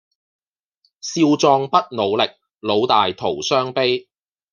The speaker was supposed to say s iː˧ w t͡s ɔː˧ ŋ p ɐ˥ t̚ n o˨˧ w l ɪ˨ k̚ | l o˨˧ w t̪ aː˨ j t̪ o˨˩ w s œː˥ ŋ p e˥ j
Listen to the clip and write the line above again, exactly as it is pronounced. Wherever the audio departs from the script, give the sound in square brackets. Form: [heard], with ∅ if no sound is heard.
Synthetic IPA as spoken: s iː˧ w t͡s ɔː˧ ŋ p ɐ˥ t̚ n o˨˧ w l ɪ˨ k̚ | l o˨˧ w t̪ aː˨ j [t̪ʰ] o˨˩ w s œː˥ ŋ p e˥ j